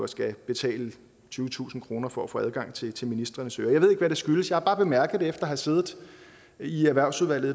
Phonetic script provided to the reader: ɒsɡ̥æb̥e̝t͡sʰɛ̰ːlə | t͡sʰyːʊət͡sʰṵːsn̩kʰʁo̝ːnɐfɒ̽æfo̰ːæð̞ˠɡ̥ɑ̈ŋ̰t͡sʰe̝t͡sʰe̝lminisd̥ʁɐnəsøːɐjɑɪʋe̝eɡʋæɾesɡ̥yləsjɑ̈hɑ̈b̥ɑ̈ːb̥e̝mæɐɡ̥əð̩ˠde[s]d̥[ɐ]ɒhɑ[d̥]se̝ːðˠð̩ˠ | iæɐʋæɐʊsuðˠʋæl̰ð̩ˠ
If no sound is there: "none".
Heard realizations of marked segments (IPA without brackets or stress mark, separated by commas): f, ɐ, none